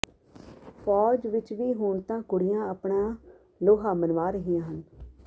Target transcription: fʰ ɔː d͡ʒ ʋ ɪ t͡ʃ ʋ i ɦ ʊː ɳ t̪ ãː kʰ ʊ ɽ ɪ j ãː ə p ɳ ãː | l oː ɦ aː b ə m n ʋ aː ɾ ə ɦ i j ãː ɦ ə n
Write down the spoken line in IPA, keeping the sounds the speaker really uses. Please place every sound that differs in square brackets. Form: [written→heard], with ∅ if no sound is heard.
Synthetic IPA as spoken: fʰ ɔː d͡ʒ ʋ ɪ t͡ʃ ʋ [i→iː] ɦ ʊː ɳ t̪ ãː [kʰ→k] ʊ ɽ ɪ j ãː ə p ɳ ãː | l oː ɦ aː [b→m] ə [m→∅] n ʋ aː ɾ ə ɦ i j ãː ɦ ə n